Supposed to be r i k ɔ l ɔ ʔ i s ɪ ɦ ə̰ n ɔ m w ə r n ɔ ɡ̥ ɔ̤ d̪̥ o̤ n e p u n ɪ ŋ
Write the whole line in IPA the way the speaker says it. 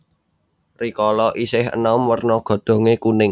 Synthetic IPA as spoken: r i k ɔ l ɔ ʔ i s ɪ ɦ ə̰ n ɔ m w ə r n ɔ ɡ̥ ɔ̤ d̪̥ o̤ ŋ e k u n ɪ ŋ